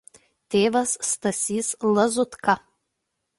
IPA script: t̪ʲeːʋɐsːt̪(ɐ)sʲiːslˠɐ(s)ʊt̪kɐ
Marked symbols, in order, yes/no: yes, no

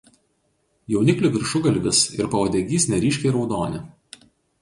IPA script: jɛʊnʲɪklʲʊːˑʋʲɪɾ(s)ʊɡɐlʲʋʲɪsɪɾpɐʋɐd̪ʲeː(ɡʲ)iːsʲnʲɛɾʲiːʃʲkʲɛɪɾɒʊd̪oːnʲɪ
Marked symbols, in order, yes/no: no, yes

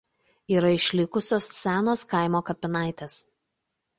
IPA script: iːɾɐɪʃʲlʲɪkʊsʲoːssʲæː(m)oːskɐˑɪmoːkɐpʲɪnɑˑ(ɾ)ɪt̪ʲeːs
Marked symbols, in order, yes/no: no, no

